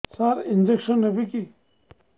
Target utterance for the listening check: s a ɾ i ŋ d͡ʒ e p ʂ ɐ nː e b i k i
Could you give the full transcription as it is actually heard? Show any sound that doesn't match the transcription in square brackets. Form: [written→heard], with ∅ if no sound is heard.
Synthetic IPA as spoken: s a ɾ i [ŋ→n] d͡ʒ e [p→k] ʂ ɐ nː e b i k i